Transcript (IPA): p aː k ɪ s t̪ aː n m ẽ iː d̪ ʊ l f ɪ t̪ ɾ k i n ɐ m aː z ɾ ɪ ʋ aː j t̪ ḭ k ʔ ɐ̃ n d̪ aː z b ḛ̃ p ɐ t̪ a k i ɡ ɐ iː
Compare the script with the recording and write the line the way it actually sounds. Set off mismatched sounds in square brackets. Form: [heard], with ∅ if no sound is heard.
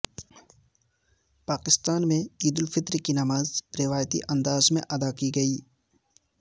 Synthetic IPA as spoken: p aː k ɪ s t̪ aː n m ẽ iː d̪ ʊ l f ɪ t̪ ɾ k i n ɐ m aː z ɾ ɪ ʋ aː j t̪ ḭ [∅] ʔ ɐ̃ n d̪ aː z [m] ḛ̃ [ʔ] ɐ [d̪] a k i ɡ ɐ iː